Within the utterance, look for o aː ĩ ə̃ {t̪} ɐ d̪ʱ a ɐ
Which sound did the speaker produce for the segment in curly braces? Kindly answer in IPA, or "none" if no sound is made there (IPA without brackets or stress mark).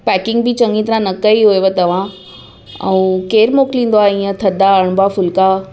t̪ʰ